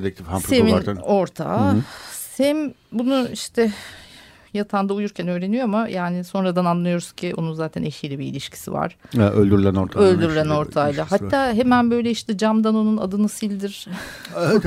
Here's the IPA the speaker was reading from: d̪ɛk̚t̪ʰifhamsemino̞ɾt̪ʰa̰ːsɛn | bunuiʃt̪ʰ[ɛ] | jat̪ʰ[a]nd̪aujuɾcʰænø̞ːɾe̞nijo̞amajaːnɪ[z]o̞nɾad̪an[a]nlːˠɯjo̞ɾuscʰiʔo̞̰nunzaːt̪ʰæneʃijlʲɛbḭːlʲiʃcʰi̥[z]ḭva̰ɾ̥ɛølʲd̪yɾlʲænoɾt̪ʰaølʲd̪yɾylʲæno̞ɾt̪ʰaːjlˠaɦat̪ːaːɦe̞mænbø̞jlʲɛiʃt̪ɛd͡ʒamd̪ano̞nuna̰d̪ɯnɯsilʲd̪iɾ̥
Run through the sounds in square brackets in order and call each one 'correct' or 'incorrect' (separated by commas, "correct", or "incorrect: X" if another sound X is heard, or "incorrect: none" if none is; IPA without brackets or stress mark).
correct, correct, incorrect: s, correct, incorrect: s